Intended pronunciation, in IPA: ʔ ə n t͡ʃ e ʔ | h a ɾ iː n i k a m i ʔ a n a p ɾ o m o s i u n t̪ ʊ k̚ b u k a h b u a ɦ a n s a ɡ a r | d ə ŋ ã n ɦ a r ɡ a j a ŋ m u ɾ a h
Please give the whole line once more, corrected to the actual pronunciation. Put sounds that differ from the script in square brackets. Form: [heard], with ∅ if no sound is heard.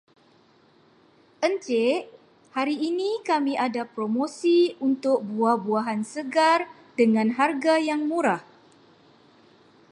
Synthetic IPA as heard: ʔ ə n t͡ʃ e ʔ | h a ɾ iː n i k a m i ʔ a [d] a p ɾ o m o s i u n t̪ ʊ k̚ b u [∅] a h b u a ɦ a n s [ə] ɡ a r | d ə ŋ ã n ɦ a r ɡ a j a ŋ m u ɾ a h